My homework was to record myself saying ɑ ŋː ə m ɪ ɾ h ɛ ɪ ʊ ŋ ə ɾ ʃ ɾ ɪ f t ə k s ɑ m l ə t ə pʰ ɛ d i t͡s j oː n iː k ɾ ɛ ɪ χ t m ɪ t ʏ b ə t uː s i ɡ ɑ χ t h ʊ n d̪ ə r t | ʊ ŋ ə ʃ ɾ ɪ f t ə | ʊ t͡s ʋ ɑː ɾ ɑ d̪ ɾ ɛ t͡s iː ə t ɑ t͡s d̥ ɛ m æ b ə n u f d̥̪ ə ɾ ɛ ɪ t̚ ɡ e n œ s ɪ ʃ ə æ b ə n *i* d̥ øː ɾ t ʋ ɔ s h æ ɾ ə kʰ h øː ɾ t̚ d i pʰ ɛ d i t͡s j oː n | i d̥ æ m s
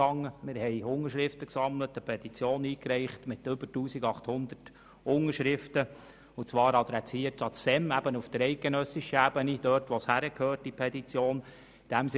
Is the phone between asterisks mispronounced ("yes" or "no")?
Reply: no